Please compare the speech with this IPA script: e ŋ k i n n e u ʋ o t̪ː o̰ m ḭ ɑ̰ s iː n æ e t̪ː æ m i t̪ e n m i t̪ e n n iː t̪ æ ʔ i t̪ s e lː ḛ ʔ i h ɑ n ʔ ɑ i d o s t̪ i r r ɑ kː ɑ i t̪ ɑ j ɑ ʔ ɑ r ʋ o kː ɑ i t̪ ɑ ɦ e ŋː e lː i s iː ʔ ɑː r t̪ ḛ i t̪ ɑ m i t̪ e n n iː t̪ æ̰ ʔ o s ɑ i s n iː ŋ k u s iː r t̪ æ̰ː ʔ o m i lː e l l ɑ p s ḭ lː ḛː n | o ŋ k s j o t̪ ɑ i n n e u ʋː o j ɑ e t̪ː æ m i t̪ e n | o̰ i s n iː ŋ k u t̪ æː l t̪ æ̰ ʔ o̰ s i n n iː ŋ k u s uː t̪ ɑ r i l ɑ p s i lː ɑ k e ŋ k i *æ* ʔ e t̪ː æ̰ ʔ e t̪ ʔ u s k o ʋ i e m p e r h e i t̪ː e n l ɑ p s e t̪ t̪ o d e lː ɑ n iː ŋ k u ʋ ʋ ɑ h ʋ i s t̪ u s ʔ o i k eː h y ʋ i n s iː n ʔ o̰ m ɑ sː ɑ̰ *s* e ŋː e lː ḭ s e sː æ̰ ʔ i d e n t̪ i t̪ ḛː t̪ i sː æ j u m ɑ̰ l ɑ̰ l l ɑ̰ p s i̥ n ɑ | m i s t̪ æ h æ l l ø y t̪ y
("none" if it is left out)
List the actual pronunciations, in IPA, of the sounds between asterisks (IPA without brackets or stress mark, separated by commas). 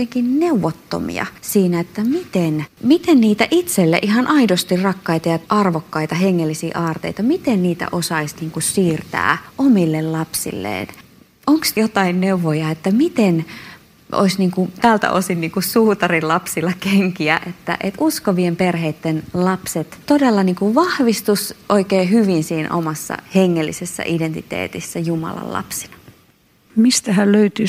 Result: æ, h